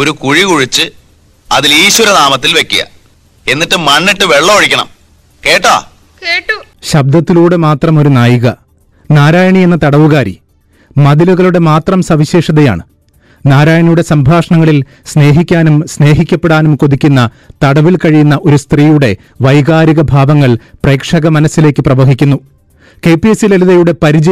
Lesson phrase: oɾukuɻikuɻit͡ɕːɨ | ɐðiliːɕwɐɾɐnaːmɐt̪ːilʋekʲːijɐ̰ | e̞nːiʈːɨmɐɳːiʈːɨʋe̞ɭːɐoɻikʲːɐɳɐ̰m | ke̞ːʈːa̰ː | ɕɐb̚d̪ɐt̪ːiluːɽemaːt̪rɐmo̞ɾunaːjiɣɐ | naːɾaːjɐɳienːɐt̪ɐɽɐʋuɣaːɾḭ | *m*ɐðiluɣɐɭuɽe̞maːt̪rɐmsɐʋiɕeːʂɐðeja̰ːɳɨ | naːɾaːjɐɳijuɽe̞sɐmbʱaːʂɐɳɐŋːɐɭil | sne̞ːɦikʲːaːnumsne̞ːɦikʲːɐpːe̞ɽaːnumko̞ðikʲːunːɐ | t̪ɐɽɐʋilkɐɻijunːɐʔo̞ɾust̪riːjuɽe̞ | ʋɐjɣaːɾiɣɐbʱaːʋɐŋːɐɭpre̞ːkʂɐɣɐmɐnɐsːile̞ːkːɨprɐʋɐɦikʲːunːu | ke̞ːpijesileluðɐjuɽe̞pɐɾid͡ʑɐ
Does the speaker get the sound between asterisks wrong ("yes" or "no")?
no